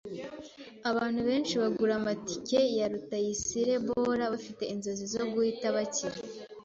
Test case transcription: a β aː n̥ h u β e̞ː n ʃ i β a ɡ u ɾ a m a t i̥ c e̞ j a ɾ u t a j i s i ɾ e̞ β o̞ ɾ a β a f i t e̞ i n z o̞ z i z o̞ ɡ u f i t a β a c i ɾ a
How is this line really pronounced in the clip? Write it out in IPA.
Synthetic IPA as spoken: a β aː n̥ h u β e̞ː n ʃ i β a ɡ u ɾ a m a t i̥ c e̞ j a ɾ u t a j i s i ɾ e̞ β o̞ ɾ a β a f i t e̞ i n z o̞ z i z o̞ ɡ u h i t a β a c i ɾ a

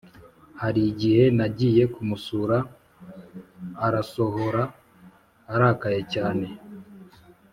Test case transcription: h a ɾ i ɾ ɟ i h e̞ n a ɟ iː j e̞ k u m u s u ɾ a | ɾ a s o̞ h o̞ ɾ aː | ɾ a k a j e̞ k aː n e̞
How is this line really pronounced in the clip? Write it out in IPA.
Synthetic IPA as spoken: h a ɾ i ɟ i h e̞ n a ɟ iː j e̞ k u m u s u ɾ a | ɾ a s o̞ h o̞ ɾ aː | ɾ a k a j e̞ c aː n e̞

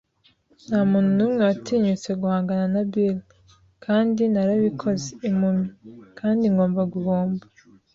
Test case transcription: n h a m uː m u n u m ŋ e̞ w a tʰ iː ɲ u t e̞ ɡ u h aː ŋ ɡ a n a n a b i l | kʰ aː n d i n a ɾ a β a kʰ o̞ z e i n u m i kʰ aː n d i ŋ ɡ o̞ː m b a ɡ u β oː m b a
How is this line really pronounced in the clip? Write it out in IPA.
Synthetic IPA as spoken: n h a m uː n u n u m ŋ e̞ w a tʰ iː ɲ u t͡s e̞ ɡ u h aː ŋ ɡ a n a n a b i l | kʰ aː n d i n a ɾ a β i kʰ o̞ z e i m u m i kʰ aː n d i ŋ ɡ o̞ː m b a ɡ u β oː m b a

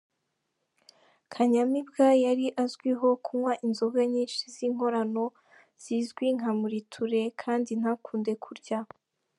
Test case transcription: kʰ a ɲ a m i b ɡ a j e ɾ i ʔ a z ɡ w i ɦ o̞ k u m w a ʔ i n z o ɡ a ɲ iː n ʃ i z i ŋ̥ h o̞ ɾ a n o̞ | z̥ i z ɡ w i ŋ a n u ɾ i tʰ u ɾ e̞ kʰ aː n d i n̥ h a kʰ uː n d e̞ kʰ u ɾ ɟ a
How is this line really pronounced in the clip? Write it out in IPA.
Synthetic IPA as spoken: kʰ a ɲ a m i b ɡ a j a ɾ i ʔ a z ɡ w i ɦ o̞ k u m w a ʔ i n z o ɡ a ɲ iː n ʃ i z i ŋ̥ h o̞ ɾ a n o̞ | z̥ i z ɡ w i ŋ a m u ɾ i tʰ u ɾ e̞ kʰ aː n d i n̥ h a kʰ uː n d e̞ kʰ u ɾ ɟ a

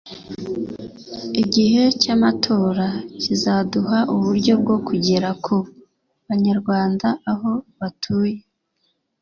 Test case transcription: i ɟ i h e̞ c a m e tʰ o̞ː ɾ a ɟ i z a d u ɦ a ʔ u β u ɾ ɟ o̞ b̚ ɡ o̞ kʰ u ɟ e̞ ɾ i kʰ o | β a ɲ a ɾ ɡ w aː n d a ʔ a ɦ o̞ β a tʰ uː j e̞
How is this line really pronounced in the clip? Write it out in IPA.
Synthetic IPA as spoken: i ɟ i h e̞ c a m a tʰ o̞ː ɾ a c i z a d u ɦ a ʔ u β u ɾ ɟ o̞ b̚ ɡ o̞ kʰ u ɟ e̞ ɾ a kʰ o | β a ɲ a ɾ ɡ w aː n d a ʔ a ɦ o̞ β a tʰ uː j e̞

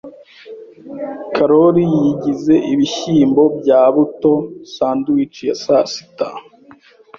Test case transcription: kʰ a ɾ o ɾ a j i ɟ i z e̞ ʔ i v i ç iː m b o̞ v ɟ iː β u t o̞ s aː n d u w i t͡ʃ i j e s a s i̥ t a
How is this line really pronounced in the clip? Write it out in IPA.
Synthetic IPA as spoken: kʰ a ɾ o ɾ i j i ɟ i z e̞ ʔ i β i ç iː m b o̞ b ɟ aː β u t o̞ s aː n d u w i t͡ʃ i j e s a s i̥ t a

